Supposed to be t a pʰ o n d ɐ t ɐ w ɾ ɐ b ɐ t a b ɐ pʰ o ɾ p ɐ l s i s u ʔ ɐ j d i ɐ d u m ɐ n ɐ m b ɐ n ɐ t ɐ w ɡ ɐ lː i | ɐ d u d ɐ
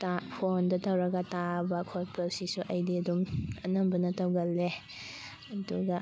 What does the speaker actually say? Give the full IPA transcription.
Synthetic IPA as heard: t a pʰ o n d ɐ t ɐ w ɾ ɐ ɡ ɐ t a b ɐ kʰ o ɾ p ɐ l s i s u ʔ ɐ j d i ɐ d u m ɐ n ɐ m b ɐ n ɐ t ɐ w ɡ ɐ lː e | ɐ d u ɡ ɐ